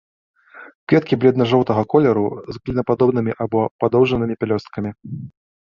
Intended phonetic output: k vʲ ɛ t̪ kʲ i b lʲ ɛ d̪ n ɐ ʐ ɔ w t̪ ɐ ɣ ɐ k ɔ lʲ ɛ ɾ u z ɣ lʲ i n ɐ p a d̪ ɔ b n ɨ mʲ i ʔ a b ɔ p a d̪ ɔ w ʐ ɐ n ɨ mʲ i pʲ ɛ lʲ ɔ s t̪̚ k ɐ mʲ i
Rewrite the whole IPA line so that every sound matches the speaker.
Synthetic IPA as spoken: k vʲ ɛ t̪ kʲ i b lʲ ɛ d̪ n ɐ ʐ ɔ w t̪ ɐ ɣ ɐ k ɔ lʲ ɛ ɾ u z ɣ lʲ i n ɐ p a d̪ ɔ b n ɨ mʲ i ʔ a b ɔ p a d̪ ɔ w ʐ ɐ n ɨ mʲ i pʲ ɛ lʲ ɔ s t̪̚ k ɐ mʲ i